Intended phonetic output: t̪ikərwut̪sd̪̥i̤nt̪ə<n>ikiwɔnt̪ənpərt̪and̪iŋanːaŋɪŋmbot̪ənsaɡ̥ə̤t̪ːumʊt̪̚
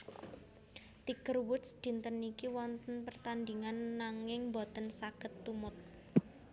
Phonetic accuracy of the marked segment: correct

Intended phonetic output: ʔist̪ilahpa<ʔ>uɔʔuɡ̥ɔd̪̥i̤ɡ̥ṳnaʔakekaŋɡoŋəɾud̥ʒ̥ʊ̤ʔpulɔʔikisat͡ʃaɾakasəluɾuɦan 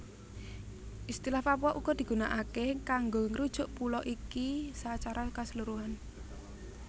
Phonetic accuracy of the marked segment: incorrect: p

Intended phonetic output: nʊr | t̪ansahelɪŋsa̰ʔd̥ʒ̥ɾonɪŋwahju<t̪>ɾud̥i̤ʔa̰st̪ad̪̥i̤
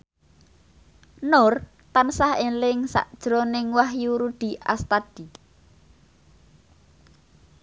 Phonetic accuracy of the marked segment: incorrect: none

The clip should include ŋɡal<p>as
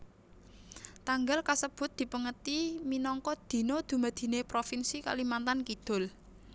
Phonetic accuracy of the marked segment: incorrect: k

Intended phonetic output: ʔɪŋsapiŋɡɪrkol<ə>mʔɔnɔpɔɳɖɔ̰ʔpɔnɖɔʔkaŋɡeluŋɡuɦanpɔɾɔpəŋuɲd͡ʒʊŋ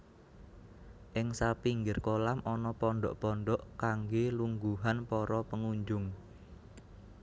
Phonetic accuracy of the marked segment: incorrect: a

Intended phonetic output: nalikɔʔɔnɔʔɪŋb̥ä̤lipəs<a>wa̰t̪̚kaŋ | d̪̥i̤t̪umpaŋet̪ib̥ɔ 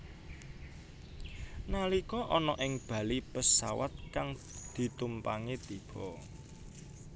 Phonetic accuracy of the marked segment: correct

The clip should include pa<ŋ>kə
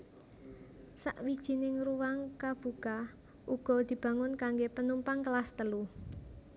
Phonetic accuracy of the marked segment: correct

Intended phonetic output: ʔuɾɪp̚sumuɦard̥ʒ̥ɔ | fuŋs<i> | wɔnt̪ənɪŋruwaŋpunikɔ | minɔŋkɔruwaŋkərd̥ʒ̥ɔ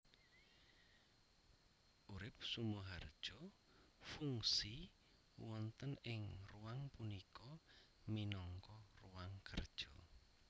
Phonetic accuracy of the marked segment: correct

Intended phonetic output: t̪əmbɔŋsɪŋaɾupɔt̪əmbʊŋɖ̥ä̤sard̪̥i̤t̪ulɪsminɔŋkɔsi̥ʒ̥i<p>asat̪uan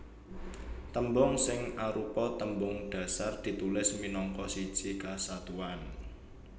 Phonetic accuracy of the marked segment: incorrect: k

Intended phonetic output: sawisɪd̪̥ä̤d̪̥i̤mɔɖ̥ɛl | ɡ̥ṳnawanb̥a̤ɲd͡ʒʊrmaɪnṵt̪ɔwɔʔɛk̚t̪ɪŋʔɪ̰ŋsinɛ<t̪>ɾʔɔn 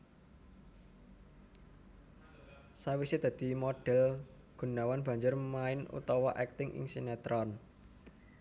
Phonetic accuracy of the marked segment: correct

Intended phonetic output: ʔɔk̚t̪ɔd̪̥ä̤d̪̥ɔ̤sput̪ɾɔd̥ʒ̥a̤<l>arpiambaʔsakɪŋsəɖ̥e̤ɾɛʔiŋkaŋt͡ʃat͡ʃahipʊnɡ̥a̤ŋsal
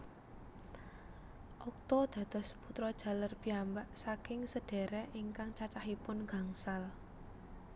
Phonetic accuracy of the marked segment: correct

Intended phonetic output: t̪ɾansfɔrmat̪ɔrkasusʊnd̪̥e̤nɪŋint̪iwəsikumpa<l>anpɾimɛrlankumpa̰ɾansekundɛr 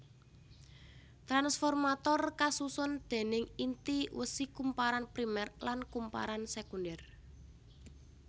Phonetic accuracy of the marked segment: incorrect: ɾ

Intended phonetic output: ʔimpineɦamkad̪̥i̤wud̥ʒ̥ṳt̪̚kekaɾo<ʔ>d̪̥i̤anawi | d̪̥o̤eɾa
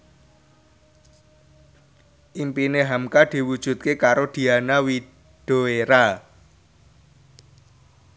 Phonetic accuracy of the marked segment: incorrect: none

